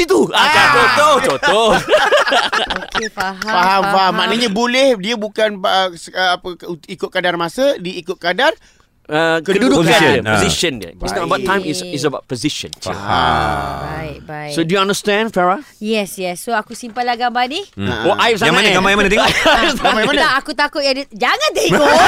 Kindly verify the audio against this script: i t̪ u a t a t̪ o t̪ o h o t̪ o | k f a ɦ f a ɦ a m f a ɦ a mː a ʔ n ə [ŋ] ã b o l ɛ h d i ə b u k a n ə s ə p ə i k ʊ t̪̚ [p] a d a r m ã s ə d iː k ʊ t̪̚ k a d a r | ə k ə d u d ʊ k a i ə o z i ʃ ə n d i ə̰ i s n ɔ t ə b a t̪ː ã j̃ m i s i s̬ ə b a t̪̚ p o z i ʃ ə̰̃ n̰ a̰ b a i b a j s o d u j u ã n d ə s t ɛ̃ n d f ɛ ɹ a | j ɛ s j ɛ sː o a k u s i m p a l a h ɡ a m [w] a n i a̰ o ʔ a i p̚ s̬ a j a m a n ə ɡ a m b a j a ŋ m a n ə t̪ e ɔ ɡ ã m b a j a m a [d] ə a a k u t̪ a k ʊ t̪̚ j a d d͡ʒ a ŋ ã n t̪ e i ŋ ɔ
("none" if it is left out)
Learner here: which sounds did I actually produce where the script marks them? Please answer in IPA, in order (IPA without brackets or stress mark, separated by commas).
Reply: ɲ, k, b, n